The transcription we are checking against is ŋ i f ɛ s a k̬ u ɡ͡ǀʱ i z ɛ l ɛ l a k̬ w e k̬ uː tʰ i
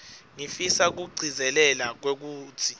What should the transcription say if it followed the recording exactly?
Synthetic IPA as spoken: ŋ i f i s a k̬ u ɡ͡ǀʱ i z ɛ l ɛ l a k̬ w e k̬ uː tʰ i